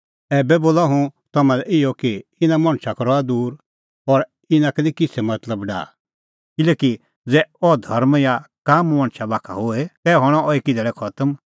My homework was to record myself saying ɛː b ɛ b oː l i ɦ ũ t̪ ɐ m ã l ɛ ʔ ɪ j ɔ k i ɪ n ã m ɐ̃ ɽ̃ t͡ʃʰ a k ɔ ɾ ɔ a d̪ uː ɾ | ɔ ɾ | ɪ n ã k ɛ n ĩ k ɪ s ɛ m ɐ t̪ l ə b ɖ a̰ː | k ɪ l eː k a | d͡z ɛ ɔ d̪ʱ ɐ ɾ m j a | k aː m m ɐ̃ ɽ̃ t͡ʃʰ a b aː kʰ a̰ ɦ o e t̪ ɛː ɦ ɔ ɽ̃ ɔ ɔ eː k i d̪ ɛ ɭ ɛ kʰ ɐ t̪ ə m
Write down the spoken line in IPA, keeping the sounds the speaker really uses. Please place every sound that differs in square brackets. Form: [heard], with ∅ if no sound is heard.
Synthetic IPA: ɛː b ɛ b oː l [a] ɦ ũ t̪ ɐ m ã l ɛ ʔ ɪ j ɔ k i ɪ n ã m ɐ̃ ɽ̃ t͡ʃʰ a k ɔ ɾ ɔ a d̪ uː ɾ | ɔ ɾ | ɪ n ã k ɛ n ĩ k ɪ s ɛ m ɐ t̪ l ə b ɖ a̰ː | k ɪ l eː k [i] | d͡z ɛ ɔ d̪ʱ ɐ ɾ m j a | k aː m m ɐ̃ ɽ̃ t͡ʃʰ a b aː kʰ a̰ ɦ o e t̪ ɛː ɦ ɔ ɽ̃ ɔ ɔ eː k i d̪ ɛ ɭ ɛ kʰ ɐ t̪ ə m

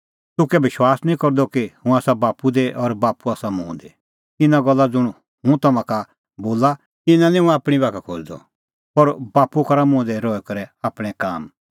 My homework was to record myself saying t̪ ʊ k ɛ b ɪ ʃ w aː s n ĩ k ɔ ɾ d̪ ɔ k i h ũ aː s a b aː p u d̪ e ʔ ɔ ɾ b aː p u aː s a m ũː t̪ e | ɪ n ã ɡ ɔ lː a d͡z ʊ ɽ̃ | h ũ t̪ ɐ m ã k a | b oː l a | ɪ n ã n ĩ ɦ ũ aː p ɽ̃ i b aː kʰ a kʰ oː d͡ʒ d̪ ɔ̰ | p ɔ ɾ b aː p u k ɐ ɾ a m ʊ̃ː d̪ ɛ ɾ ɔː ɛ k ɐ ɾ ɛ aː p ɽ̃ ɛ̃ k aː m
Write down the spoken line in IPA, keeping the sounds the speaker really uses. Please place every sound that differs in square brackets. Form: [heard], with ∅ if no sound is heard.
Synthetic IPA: t̪ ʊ k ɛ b ɪ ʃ w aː s n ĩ k ɔ ɾ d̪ ɔ k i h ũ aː s a b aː p u d̪ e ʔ ɔ ɾ b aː p u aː s a m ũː [d̪] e | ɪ n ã ɡ ɔ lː a d͡z ʊ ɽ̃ | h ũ t̪ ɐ m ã k a | b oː l a | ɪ n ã n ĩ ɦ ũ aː p ɽ̃ i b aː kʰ a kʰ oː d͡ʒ d̪ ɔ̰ | p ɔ ɾ b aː p u k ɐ ɾ a m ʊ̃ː d̪ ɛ ɾ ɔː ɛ k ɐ ɾ ɛ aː p ɽ̃ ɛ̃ k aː m

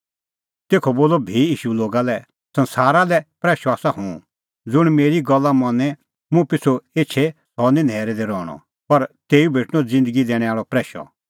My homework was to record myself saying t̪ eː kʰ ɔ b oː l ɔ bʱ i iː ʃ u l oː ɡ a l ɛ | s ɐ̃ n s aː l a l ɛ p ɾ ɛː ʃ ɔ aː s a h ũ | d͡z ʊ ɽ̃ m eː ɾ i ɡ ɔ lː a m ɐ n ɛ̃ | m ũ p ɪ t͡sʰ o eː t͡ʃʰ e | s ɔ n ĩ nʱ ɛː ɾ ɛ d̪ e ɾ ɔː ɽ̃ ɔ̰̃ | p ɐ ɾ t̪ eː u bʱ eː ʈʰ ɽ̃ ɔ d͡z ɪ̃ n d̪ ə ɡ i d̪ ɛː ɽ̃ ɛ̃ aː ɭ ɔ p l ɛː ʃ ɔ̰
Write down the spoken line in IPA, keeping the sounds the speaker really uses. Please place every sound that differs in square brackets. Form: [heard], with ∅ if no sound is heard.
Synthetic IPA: t̪ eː kʰ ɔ b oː l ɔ bʱ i iː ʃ u l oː ɡ a l ɛ | s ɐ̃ n s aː [ɾ] a l ɛ p ɾ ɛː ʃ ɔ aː s a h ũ | d͡z ʊ ɽ̃ m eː ɾ i ɡ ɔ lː a m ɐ n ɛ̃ | m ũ p ɪ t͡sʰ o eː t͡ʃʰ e | s ɔ n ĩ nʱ ɛː ɾ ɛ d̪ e ɾ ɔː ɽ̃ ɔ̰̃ | p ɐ ɾ t̪ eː u bʱ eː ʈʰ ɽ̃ ɔ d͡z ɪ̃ n d̪ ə ɡ i d̪ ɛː ɽ̃ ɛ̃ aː ɭ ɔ p [ɾ] ɛː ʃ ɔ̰

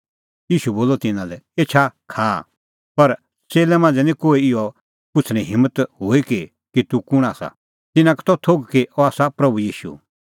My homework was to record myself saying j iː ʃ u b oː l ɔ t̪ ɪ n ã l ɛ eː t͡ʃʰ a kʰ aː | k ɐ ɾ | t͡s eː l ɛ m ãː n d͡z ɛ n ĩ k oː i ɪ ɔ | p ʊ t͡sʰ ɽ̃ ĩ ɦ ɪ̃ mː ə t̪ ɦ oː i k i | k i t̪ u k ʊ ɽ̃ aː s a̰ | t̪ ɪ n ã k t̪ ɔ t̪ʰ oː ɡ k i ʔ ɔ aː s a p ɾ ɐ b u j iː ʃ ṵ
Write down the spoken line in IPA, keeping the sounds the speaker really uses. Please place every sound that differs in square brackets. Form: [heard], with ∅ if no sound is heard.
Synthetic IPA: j iː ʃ u b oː l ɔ t̪ ɪ n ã l ɛ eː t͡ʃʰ a kʰ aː | [p] ɐ ɾ | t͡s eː l ɛ m ãː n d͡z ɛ n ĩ k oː i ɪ ɔ | p ʊ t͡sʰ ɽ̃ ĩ ɦ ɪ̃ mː ə t̪ ɦ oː i k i | k i t̪ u k ʊ ɽ̃ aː s a̰ | t̪ ɪ n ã k t̪ ɔ t̪ʰ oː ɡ k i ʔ ɔ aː s a p ɾ ɐ b u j iː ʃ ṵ

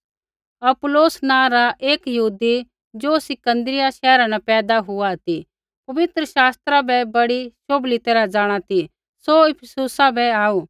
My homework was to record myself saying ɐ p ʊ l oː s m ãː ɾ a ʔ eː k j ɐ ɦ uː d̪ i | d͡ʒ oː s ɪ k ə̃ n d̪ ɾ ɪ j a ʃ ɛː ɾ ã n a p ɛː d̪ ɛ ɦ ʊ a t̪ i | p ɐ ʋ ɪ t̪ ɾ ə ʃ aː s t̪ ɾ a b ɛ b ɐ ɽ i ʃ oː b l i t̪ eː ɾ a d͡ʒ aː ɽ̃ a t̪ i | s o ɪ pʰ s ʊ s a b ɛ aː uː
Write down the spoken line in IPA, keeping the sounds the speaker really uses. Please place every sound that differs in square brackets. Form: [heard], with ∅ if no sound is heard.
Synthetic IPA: ɐ p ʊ l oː s [n] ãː ɾ a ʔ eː k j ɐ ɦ uː d̪ i | d͡ʒ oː s ɪ k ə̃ n d̪ ɾ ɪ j a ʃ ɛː ɾ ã n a p ɛː d̪ [a] ɦ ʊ a t̪ i | p ɐ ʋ ɪ t̪ ɾ ə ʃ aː s t̪ ɾ a b ɛ b ɐ ɽ i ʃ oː b l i t̪ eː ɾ a d͡ʒ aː ɽ̃ a t̪ i | s o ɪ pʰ s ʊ s a b ɛ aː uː

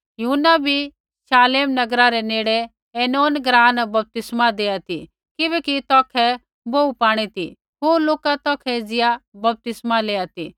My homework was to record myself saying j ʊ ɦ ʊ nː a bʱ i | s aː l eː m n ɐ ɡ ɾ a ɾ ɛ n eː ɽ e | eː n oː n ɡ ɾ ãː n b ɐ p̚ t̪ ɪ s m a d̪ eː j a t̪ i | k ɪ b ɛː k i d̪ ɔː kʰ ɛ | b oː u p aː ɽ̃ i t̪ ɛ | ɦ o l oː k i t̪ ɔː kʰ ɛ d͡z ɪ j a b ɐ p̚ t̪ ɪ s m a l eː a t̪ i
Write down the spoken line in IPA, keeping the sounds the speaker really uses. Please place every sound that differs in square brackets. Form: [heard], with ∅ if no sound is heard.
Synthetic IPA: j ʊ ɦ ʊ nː a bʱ i | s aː l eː m n ɐ ɡ ɾ a ɾ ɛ n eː ɽ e | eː n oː n ɡ ɾ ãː n b ɐ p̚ t̪ ɪ s m a d̪ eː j a t̪ i | k ɪ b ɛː k i [t̪] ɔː kʰ ɛ | b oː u p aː ɽ̃ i t̪ [i] | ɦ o l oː k [a] t̪ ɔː kʰ ɛ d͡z ɪ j a b ɐ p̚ t̪ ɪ s m a l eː a t̪ i

